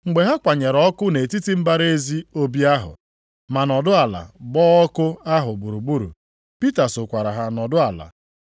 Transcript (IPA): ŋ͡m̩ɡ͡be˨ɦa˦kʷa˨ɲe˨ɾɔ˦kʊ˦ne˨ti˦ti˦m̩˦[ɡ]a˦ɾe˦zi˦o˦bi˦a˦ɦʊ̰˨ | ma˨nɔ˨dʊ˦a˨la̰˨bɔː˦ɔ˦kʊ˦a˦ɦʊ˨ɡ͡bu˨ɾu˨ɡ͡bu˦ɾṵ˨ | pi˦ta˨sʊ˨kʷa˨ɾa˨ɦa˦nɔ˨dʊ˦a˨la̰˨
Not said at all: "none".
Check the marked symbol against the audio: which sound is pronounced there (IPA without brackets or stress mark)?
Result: b